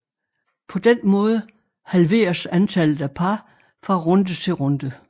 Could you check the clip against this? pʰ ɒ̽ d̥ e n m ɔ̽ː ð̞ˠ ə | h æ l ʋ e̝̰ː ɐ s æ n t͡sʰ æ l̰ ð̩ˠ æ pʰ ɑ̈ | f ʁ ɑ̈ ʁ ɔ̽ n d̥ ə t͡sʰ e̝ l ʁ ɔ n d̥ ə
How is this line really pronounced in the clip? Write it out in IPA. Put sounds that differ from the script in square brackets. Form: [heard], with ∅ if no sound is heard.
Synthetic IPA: pʰ ɒ̽ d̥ e n m ɔ̽ː ð̞ˠ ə | h æ l ʋ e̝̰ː ɐ s æ n t͡sʰ æ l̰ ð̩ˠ æ pʰ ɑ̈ | f ʁ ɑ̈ ʁ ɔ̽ n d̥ ə t͡sʰ e̝ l ʁ ɔ n d̥ ə